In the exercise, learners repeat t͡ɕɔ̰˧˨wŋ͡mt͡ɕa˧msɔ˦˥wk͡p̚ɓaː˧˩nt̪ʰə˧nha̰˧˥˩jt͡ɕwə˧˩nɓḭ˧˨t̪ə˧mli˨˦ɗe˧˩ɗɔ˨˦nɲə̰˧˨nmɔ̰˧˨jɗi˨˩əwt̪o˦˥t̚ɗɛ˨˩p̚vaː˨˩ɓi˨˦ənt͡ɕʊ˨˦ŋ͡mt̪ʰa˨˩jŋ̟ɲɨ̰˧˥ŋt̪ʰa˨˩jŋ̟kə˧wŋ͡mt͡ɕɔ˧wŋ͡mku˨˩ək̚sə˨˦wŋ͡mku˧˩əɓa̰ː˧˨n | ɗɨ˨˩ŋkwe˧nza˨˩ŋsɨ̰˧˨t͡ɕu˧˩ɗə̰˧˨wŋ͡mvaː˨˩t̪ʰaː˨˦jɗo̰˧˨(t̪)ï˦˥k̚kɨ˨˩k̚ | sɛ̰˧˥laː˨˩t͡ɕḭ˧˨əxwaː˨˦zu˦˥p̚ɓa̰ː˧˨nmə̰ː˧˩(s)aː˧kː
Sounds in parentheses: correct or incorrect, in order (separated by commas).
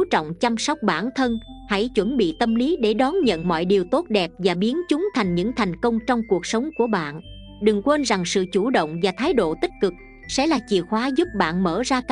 correct, incorrect